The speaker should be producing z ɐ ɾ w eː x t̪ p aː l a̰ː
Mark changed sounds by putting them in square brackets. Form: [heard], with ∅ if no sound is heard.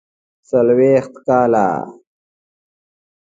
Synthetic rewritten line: [s] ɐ [l] w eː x t̪ [k] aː l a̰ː